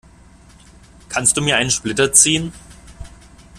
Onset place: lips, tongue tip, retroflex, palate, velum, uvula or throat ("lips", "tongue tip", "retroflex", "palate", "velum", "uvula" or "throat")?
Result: velum